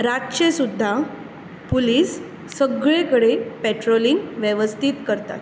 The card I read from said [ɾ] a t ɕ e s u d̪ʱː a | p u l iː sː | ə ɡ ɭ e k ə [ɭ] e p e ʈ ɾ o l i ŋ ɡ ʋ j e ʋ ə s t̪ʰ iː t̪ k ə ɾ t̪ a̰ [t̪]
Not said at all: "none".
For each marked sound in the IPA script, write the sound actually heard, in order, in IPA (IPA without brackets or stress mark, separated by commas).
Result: ɾ, ɽ, t̪